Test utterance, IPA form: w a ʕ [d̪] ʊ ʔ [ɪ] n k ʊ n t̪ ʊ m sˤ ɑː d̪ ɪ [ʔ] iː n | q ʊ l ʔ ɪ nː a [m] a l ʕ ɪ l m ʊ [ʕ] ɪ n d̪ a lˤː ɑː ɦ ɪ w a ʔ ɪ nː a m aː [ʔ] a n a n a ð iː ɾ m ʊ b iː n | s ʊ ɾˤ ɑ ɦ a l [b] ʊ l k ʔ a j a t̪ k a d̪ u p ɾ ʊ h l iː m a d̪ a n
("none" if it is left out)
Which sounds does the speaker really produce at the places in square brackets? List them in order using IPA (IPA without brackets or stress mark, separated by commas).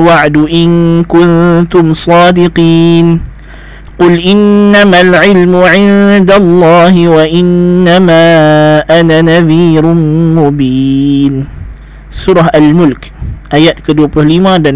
d̪, ɪ, q, m, ʕ, ʔ, m